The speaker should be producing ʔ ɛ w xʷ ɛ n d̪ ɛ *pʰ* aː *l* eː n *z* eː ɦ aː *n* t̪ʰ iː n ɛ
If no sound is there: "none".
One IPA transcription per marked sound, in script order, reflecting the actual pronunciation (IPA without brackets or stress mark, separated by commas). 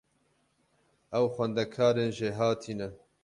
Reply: kʰ, ɾ, ʒ, none